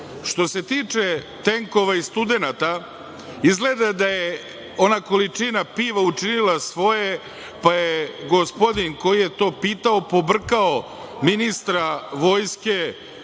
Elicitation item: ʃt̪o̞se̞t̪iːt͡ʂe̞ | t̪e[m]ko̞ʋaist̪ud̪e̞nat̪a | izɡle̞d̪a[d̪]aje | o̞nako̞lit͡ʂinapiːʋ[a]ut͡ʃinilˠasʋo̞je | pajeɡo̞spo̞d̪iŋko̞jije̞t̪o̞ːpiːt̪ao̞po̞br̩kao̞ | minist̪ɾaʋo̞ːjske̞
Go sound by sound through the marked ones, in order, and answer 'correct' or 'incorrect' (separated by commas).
incorrect, correct, correct